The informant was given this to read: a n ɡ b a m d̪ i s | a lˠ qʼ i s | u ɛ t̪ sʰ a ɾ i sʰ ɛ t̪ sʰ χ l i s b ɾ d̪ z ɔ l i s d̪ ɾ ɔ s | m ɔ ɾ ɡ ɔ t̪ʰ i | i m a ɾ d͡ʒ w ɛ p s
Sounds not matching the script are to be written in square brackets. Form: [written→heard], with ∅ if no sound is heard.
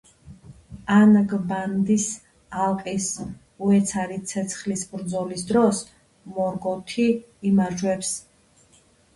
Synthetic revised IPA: a n ɡ b a [m→n] d̪ i s | a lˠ qʼ i s | u ɛ t̪ sʰ a ɾ i sʰ ɛ t̪ sʰ χ l i s b ɾ d̪ z ɔ l i s d̪ ɾ ɔ s | m ɔ ɾ ɡ ɔ t̪ʰ i | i m a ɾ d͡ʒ w ɛ p s

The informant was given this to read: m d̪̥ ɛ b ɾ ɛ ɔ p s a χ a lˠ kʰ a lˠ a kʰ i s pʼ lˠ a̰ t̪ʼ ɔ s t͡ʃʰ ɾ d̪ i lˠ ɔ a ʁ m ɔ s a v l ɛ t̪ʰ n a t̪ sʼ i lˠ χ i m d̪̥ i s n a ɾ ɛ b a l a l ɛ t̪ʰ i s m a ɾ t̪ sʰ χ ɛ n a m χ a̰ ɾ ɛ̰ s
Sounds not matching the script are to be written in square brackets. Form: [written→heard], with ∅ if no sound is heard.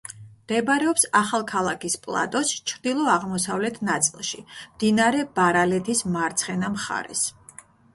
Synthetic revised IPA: m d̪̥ ɛ b ɾ ɛ ɔ p s a χ a lˠ kʰ a lˠ a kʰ i s pʼ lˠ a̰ t̪ʼ ɔ s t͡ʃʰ ɾ d̪ i lˠ ɔ a ʁ m ɔ s a v l ɛ t̪ʰ n a t̪ sʼ i lˠ [χ→ʃ] i m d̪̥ i [s→∅] n a ɾ ɛ b a [l→ɾ] a l ɛ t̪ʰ i s m a ɾ t̪ sʰ χ ɛ n a m χ a̰ ɾ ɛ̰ s

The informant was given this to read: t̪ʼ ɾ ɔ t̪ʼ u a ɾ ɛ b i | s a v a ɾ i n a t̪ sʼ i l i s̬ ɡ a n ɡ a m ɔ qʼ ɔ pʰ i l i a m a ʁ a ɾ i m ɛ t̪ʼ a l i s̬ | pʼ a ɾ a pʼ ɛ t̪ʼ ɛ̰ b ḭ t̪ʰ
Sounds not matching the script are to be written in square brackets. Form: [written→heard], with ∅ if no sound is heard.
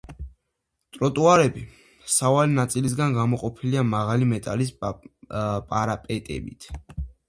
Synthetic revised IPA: t̪ʼ ɾ ɔ t̪ʼ u a ɾ ɛ b i | s a v a [ɾ→l] i n a t̪ sʼ i l i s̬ ɡ a n ɡ a m ɔ qʼ ɔ pʰ i l i a m a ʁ a [ɾ→l] i m ɛ t̪ʼ a l i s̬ | pʼ a ɾ a pʼ ɛ t̪ʼ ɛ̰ b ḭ t̪ʰ

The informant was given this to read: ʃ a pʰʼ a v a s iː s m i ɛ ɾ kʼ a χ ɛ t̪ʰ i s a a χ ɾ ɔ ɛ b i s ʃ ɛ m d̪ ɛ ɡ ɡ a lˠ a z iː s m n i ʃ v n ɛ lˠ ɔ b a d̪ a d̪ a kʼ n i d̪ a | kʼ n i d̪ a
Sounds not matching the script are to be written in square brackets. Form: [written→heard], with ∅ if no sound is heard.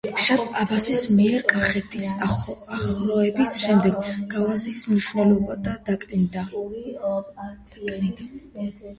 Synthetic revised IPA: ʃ a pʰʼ a [v→b] a s [iː→i] s m i ɛ ɾ kʼ a χ ɛ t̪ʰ i s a a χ ɾ ɔ ɛ b i s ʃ ɛ m d̪ ɛ ɡ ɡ a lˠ a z [iː→i] s m n i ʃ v n ɛ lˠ ɔ b a d̪ a d̪ a kʼ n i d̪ a | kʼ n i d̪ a

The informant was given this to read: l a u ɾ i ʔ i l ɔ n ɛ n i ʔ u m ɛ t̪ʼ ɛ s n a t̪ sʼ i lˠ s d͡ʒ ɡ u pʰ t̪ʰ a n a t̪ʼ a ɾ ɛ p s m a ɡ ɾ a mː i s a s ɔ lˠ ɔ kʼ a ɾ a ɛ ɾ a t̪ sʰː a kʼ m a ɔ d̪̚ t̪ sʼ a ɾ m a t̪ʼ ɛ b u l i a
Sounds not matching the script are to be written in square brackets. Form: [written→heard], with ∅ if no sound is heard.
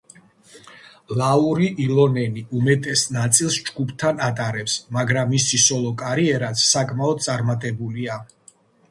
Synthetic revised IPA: l a u ɾ i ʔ i l ɔ n ɛ n i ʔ u m ɛ t̪ʼ ɛ s n a t̪ sʼ i lˠ s d͡ʒ ɡ u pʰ t̪ʰ a n a t̪ʼ a ɾ ɛ p s m a ɡ ɾ a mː i s [a→i] s ɔ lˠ ɔ kʼ a ɾ [a→i] ɛ ɾ a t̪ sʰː a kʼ m a ɔ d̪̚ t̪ sʼ a ɾ m a t̪ʼ ɛ b u l i a

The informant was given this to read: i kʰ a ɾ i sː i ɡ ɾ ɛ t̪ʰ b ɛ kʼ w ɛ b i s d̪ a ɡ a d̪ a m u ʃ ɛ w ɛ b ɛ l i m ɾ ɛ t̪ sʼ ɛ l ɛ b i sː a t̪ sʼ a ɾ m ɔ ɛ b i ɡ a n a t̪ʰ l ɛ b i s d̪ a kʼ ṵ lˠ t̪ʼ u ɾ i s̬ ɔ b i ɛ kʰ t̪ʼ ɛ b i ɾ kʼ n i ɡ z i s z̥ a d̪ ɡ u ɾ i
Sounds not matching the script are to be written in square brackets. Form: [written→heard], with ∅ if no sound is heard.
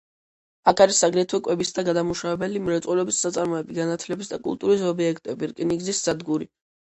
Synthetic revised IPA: [i→a] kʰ a ɾ i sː [i→a] ɡ ɾ ɛ t̪ʰ [b→w] ɛ kʼ w ɛ b i s d̪ a ɡ a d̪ a m u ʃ [ɛ→a] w ɛ b ɛ l i m ɾ ɛ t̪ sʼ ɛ l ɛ b i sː a t̪ sʼ a ɾ m ɔ ɛ b i ɡ a n a t̪ʰ l ɛ b i s d̪ a kʼ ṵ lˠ t̪ʼ u ɾ i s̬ ɔ b i ɛ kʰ t̪ʼ ɛ b i ɾ kʼ n i ɡ z i s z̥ a d̪ ɡ u ɾ i

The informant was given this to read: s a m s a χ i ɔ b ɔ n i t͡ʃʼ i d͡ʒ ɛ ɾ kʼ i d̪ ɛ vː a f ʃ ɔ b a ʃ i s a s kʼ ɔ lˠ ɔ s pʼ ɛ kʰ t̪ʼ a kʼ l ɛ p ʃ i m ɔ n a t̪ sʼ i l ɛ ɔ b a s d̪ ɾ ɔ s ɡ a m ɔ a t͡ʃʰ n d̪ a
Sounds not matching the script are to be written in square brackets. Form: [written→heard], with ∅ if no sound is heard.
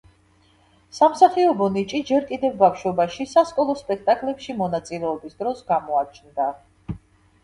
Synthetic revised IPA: s a m s a χ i ɔ b ɔ n i t͡ʃʼ i d͡ʒ ɛ ɾ kʼ i d̪ ɛ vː a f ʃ ɔ b a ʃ i s a s kʼ ɔ lˠ ɔ s pʼ ɛ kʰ t̪ʼ a kʼ l ɛ p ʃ i m ɔ n a t̪ sʼ i l ɛ ɔ b [a→i] s d̪ ɾ ɔ s ɡ a m ɔ a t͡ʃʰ n d̪ a

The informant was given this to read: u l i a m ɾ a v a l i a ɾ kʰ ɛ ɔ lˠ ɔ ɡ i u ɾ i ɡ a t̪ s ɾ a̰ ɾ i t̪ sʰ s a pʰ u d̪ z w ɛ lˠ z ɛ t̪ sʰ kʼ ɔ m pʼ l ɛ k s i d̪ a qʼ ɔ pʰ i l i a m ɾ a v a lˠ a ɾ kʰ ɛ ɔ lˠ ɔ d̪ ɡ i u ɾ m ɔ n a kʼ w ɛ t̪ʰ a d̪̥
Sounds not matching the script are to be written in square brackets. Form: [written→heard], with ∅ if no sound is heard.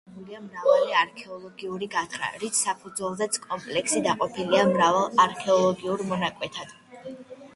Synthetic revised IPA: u l i a m ɾ a v a l i a ɾ kʰ ɛ ɔ lˠ ɔ ɡ i u ɾ i ɡ a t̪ [s→χ] ɾ a̰ ɾ i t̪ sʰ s a pʰ u d̪ z w ɛ lˠ z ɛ t̪ sʰ kʼ ɔ m pʼ l ɛ k s i d̪ a qʼ ɔ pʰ i l i a m ɾ a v a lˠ a ɾ kʰ ɛ ɔ lˠ ɔ [d̪→∅] ɡ i u ɾ m ɔ n a kʼ w ɛ t̪ʰ a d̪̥

